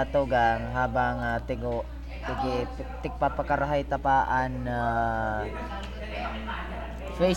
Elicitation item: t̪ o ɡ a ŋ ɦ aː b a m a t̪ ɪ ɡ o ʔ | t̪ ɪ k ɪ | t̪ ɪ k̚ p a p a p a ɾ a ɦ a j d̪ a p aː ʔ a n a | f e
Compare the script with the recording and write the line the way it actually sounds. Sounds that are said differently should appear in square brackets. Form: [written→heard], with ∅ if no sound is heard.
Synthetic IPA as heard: t̪ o ɡ a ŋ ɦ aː b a [m→ŋ] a t̪ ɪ ɡ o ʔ | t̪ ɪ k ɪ | t̪ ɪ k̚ p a p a [p→k] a ɾ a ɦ a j [d̪→t̪] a p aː ʔ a n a | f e